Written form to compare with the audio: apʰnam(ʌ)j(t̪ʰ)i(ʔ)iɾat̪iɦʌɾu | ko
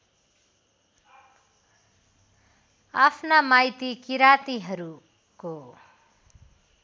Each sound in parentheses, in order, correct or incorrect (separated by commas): incorrect, incorrect, incorrect